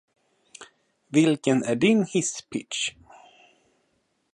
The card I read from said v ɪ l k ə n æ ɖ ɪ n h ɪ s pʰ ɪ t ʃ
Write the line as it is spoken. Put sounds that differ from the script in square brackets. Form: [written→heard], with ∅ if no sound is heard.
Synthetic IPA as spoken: v ɪ l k ə n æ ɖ ɪ n h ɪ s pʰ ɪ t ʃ